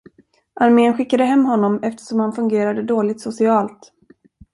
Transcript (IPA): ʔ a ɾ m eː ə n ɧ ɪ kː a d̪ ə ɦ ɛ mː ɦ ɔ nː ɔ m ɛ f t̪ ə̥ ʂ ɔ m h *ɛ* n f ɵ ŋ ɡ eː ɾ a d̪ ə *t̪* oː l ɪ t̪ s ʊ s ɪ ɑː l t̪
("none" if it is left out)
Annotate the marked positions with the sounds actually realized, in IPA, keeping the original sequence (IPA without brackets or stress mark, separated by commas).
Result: a, d̪